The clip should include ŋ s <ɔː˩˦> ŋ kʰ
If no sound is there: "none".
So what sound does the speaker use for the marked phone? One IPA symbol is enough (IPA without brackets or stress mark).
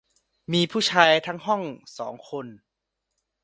ɔː˩˦